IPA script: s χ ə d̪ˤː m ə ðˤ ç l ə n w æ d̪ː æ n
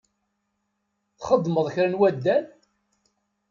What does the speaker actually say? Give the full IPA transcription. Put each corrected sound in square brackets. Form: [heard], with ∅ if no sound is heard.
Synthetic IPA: [θ] χ ə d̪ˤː m ə ðˤ ç [ɾ] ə n w æ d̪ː æ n